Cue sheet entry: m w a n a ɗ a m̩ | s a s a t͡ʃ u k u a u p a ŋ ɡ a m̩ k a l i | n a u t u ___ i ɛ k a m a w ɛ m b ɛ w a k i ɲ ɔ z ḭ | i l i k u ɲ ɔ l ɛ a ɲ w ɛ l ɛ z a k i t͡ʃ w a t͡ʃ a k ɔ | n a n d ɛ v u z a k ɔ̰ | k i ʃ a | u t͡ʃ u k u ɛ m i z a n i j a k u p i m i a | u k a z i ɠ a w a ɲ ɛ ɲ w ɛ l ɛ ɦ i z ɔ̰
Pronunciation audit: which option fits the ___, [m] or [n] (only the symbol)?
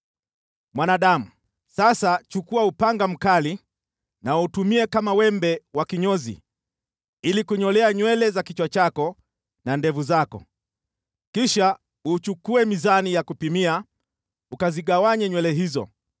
m